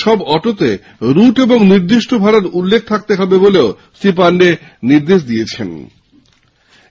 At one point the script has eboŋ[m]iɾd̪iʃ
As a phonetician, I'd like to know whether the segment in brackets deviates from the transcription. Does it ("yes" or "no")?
yes